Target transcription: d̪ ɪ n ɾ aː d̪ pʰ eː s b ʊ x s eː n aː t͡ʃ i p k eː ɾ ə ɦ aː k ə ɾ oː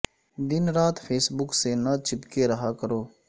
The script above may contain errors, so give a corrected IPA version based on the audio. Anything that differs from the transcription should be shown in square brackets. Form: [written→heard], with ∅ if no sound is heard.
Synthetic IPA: d̪ ɪ n ɾ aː [d̪→t̪] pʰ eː s b ʊ [x→k] s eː n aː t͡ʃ [i→ɪ] p k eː ɾ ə ɦ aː k ə ɾ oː